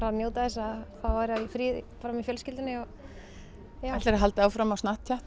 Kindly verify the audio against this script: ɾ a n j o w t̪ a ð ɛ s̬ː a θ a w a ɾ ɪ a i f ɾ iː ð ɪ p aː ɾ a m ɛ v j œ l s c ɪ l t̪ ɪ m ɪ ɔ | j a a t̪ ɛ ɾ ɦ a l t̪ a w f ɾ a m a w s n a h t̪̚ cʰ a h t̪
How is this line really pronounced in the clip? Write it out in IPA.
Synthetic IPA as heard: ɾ a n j o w t̪ a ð ɛ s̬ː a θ a v a ɾ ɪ a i f ɾ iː ð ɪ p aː ɾ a m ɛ f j œ l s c ɪ l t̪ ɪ n ɪ ɔ | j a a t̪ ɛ ɾ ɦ a l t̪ a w f ɾ a m a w s n a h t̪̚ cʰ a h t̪